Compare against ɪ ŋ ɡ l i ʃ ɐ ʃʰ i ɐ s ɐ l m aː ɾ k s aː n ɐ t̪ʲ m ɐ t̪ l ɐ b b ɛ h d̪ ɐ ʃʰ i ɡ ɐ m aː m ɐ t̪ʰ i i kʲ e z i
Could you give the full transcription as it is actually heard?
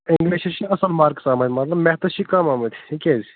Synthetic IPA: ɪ ŋ ɡ l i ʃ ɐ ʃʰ i ɐ s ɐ l m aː ɾ k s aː m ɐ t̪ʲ m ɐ t̪ l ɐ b m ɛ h t̪ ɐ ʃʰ i k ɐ m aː m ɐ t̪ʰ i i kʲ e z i